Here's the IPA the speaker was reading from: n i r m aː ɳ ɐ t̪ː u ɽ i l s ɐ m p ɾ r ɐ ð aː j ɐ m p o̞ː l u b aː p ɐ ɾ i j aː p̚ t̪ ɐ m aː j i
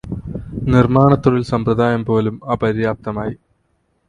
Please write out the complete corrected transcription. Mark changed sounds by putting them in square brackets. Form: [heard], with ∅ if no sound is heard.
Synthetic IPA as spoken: n i r m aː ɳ ɐ t̪ː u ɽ i l s ɐ m p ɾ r ɐ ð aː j ɐ m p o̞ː l u [m] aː p ɐ ɾ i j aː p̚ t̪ ɐ m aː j i